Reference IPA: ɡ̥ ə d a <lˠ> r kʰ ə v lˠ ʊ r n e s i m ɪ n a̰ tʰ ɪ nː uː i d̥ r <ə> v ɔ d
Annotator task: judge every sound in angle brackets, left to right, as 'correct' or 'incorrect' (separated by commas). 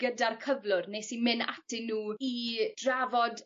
incorrect, incorrect